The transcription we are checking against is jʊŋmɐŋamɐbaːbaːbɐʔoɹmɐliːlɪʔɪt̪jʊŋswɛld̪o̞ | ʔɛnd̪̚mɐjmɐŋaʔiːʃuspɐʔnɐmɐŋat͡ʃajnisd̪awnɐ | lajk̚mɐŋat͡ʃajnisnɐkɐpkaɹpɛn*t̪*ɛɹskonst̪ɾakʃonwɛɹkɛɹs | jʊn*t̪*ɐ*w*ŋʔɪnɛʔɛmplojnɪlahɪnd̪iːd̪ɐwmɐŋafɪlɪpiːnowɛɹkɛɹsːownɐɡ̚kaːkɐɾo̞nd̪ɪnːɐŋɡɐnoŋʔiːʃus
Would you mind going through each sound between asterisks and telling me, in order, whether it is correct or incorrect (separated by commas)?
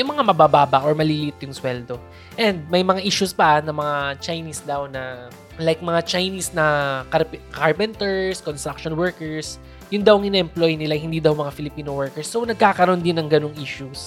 correct, incorrect, correct